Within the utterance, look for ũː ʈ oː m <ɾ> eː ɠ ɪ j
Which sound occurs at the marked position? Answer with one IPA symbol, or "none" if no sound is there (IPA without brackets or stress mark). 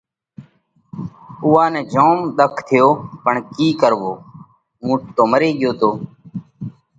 ɾ